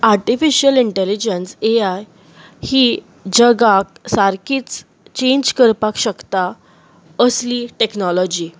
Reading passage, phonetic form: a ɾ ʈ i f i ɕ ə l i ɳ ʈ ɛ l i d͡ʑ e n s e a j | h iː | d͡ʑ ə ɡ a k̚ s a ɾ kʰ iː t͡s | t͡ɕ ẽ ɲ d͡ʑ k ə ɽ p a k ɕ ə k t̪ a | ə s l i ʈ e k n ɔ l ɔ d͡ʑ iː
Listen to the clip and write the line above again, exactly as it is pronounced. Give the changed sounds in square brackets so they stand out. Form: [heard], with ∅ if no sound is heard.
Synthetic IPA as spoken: a ɾ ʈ i f i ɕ ə l i ɳ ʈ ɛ l i d͡ʑ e n s e a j | h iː | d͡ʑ ə ɡ a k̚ s a ɾ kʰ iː t͡s | t͡ɕ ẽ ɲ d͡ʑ k ə [ɾ] p a k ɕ ə k t̪ a | ə s l i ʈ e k n ɔ l ɔ d͡ʑ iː